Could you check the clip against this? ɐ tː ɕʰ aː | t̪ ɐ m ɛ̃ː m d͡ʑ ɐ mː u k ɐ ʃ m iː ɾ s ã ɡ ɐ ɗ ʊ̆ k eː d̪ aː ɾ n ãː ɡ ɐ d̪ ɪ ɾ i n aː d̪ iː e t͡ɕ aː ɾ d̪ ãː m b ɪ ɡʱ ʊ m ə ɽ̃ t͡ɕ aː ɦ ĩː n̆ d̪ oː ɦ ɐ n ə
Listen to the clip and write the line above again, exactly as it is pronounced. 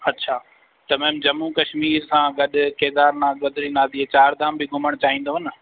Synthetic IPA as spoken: ɐ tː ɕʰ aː | t̪ ɐ m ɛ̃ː m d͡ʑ ɐ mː u k ɐ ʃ m iː ɾ s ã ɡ ɐ ɗ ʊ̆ k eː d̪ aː ɾ n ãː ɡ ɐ d̪ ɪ ɾ i n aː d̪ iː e t͡ɕ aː ɾ d̪ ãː m b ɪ ɡʱ ʊ m ə ɽ̃ t͡ɕ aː ɦ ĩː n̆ d̪ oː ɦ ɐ n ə

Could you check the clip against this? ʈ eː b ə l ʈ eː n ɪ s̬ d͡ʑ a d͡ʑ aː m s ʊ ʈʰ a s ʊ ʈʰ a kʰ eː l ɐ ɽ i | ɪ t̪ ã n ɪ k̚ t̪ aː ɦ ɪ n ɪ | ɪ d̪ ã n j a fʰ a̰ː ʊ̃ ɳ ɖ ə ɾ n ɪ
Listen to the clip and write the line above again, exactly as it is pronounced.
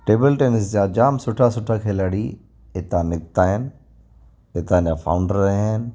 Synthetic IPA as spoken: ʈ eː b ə l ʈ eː n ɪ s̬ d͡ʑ a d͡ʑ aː m s ʊ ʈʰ a s ʊ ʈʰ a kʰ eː l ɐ ɽ i | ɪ t̪ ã n ɪ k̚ t̪ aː ɦ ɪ n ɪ | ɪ t̪ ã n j a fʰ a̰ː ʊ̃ ɳ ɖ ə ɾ n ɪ

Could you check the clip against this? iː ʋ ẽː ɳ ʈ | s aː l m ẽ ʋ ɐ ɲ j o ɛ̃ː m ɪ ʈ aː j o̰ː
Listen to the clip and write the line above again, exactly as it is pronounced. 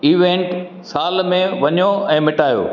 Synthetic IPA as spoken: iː ʋ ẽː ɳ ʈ | s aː l m ẽ ʋ ɐ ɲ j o ɛ̃ː m ɪ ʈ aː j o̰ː

